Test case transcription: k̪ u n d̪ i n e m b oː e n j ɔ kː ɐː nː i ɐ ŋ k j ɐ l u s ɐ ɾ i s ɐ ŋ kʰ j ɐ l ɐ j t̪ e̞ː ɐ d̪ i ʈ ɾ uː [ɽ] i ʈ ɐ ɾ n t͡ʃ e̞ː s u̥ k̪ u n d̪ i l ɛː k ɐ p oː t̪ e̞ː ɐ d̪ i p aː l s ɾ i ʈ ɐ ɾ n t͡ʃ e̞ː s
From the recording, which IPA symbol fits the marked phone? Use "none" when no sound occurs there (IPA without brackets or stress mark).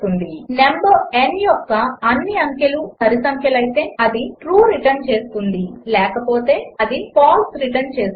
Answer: ɾ